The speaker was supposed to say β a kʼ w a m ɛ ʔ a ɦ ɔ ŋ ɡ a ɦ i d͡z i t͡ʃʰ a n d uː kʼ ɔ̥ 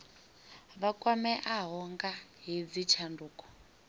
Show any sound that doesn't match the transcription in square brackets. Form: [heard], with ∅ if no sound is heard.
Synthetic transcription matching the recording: β a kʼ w a m ɛ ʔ a ɦ ɔ ŋ ɡ a ɦ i d͡z i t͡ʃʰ a n d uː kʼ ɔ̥

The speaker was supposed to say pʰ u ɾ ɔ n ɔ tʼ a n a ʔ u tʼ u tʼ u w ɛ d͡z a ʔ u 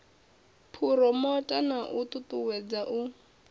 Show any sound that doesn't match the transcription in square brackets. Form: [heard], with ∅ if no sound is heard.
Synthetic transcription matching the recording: pʰ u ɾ ɔ [m] ɔ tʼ a n a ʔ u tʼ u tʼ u w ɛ d͡z a ʔ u

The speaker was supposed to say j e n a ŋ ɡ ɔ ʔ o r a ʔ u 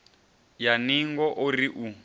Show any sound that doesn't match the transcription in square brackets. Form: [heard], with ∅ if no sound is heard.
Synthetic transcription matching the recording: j [a] n [i] ŋ ɡ ɔ ʔ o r [i] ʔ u

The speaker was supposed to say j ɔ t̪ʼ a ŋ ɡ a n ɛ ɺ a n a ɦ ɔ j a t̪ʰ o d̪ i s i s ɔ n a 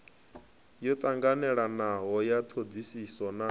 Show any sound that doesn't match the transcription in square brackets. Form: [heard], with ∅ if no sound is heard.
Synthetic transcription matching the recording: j ɔ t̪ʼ a ŋ ɡ a n ɛ ɺ a n a ɦ ɔ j a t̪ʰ o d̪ i s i s ɔ n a

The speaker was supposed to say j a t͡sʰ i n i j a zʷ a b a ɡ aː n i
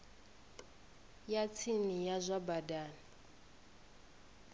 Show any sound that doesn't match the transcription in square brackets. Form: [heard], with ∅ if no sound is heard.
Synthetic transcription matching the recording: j a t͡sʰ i n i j a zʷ a b a [d] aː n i

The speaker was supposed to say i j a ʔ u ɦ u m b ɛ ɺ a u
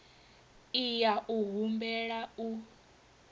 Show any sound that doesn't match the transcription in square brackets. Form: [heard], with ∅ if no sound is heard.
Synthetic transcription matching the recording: i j a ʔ u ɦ u m b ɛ ɺ a u

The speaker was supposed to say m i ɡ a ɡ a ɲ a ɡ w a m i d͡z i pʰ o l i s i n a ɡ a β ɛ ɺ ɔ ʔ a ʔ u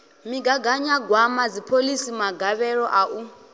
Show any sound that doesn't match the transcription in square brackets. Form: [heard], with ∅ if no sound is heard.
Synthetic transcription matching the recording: m i ɡ a ɡ a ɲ a ɡ w a m [a] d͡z i pʰ o l i s i [m] a ɡ a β ɛ ɺ ɔ ʔ a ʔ u

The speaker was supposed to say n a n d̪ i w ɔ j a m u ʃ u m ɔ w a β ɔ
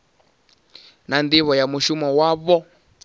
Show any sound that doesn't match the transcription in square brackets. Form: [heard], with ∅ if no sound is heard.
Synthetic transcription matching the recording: n a n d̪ i [β] ɔ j a m u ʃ u m ɔ w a β ɔ

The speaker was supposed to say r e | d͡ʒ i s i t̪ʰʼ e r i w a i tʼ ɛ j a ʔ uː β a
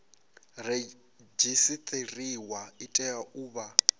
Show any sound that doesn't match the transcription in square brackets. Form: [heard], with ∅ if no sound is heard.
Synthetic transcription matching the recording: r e | d͡ʒ i s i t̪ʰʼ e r i w a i tʼ ɛ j a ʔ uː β a

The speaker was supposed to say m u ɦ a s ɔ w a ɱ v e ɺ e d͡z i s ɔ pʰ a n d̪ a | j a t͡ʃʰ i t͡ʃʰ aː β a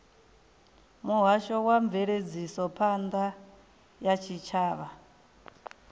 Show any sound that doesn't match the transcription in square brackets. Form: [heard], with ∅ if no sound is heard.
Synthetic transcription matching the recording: m u ɦ a [ʃ] ɔ w a ɱ v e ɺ e d͡z i s ɔ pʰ a n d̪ a | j a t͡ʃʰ i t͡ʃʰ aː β a

